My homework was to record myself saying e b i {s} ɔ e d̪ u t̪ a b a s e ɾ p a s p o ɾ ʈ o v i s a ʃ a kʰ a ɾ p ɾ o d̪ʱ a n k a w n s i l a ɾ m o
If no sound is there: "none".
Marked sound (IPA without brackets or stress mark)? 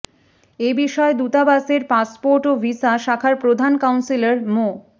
ʃ